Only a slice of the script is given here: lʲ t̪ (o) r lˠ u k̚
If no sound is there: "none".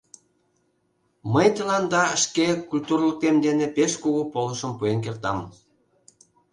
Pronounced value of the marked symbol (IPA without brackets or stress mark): u